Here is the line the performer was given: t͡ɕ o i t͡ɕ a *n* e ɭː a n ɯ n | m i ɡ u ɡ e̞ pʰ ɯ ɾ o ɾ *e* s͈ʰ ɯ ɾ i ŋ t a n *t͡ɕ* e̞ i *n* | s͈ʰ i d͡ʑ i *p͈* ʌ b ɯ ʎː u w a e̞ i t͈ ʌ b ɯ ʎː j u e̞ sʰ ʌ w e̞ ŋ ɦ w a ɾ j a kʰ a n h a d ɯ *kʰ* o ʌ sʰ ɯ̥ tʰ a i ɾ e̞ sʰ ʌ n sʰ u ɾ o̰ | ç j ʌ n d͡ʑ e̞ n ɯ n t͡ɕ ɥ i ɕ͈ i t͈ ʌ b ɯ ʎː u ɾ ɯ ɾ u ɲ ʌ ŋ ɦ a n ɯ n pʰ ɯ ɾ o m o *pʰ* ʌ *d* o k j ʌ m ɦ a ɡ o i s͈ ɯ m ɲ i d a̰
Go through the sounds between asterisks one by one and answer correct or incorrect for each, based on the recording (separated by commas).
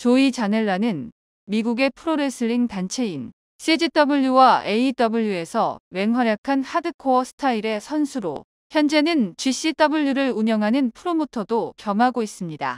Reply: correct, correct, incorrect, correct, incorrect, correct, incorrect, correct